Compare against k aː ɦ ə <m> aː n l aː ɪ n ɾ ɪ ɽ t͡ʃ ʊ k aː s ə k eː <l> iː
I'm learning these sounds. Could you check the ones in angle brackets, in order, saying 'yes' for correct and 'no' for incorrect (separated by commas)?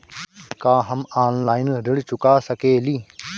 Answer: yes, yes